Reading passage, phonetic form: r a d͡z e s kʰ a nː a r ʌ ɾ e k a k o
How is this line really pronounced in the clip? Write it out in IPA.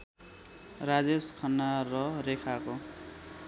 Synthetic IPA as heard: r a d͡z e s kʰ ʌ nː a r ʌ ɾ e kʰ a k o